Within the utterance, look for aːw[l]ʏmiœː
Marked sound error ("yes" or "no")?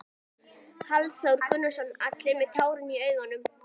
yes